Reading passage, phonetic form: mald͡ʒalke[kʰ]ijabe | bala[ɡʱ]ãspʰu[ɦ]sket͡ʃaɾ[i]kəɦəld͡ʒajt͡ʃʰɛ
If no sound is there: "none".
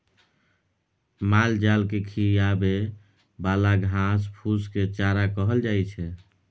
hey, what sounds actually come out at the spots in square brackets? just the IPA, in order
kʰ, ɡʱ, none, a

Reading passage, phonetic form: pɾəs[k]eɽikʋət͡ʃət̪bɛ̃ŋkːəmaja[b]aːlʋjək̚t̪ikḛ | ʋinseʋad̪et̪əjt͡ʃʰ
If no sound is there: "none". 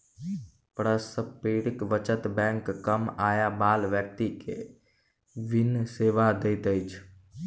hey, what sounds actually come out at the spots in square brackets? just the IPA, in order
p, b

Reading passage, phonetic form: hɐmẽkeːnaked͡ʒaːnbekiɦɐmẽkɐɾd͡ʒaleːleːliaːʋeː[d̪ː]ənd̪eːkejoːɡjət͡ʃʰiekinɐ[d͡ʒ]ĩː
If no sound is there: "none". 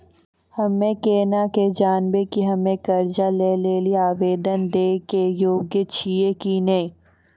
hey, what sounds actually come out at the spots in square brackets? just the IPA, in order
d̪, none

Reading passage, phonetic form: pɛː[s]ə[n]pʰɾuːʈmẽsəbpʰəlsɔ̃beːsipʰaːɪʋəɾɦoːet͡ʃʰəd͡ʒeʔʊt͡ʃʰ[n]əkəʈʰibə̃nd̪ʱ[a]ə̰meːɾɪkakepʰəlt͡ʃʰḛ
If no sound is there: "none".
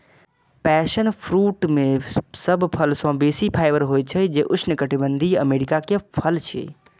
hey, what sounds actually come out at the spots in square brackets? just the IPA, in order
ʃ, n, n, i

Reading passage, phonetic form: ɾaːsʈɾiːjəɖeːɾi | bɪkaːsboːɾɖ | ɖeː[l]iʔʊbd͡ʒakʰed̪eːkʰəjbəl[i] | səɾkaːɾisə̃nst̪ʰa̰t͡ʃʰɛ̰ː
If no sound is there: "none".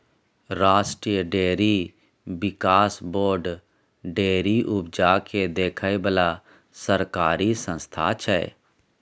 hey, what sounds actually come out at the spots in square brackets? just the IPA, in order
ɾ, a

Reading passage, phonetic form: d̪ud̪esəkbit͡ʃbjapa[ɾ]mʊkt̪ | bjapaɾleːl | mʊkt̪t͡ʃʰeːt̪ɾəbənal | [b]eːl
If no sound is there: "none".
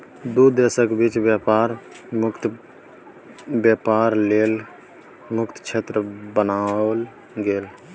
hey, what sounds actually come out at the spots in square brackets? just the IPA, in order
ɾ, ɡ

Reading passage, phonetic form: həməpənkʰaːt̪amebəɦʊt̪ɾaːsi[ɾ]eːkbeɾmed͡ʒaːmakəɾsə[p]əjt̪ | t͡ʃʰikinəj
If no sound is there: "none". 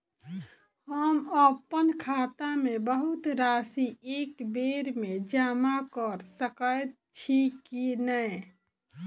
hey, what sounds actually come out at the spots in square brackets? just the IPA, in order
none, k

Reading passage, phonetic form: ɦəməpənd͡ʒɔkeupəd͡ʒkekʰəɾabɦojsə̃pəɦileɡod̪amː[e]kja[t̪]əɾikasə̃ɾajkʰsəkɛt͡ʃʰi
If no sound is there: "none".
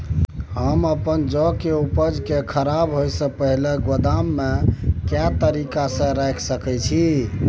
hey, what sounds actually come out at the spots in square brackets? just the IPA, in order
e, t̪

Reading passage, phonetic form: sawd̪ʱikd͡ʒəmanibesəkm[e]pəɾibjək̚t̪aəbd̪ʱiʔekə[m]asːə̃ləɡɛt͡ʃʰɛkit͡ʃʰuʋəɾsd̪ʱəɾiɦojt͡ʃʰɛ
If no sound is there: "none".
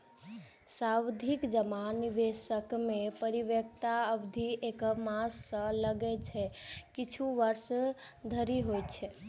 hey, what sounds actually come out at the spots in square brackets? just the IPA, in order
e, m

